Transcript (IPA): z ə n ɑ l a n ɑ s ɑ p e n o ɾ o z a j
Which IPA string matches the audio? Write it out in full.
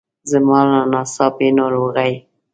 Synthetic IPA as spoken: z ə m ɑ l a n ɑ s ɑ p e n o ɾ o ɣ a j